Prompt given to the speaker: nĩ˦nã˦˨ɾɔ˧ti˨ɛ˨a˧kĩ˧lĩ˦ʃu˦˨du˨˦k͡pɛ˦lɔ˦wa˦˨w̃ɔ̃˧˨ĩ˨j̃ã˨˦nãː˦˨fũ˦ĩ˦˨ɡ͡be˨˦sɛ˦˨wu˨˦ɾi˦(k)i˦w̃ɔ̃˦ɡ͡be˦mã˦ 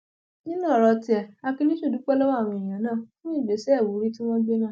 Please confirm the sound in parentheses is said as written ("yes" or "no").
no